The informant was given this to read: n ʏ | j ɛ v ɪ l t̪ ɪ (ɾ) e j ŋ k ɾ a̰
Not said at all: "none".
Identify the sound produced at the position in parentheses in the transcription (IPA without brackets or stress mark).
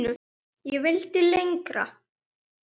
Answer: l